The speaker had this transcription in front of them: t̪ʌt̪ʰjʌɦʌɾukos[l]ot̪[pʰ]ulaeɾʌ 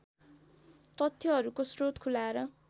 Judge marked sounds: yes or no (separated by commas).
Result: no, no